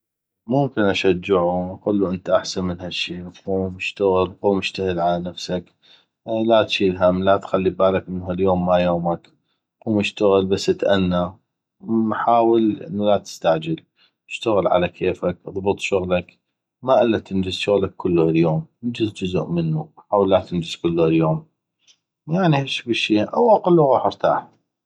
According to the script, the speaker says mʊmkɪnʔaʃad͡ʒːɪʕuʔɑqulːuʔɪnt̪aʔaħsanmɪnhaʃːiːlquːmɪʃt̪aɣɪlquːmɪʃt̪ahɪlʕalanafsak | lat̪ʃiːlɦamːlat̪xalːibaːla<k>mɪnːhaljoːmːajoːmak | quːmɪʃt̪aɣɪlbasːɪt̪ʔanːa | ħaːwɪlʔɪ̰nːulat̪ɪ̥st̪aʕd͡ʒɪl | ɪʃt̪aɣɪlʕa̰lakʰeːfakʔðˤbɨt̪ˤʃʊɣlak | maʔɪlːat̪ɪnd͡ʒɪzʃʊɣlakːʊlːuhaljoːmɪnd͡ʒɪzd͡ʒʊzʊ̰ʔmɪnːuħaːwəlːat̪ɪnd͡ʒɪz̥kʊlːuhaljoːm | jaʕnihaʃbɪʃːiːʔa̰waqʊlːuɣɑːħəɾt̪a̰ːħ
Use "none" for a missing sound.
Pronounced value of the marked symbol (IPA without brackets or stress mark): k